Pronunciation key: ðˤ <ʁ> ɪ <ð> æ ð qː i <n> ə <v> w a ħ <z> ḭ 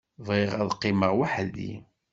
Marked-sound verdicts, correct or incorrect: correct, incorrect, incorrect, incorrect, incorrect

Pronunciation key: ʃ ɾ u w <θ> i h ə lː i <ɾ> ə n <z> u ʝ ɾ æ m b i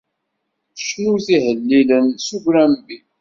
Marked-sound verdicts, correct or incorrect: correct, incorrect, incorrect

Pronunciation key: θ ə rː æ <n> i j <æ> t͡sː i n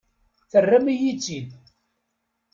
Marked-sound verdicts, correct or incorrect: incorrect, incorrect

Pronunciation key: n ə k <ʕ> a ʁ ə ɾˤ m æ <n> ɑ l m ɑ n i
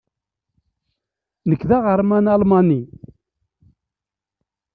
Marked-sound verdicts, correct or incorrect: incorrect, correct

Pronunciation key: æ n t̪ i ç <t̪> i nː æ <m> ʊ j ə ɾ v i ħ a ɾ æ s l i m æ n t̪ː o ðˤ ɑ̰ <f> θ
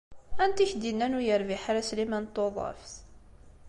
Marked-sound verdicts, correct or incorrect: incorrect, incorrect, correct

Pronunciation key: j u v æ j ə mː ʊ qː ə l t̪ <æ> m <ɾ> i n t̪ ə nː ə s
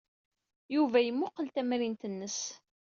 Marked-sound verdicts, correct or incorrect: correct, correct

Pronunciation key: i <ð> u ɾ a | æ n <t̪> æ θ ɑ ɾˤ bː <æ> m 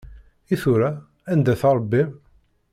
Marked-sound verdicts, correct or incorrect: incorrect, incorrect, incorrect

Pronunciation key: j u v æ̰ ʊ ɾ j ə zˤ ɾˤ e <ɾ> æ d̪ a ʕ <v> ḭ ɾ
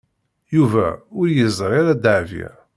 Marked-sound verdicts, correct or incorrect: correct, correct

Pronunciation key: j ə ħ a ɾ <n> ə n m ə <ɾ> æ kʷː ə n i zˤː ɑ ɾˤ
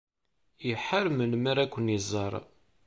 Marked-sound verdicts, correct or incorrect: incorrect, correct

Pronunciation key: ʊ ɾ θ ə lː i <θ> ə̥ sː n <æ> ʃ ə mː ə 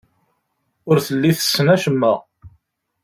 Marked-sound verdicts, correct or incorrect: correct, correct

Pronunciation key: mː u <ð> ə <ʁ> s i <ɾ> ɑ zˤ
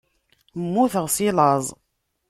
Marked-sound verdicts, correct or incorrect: incorrect, correct, incorrect

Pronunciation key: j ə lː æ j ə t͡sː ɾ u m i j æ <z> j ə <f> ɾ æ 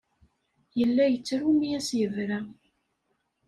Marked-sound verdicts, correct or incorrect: incorrect, incorrect

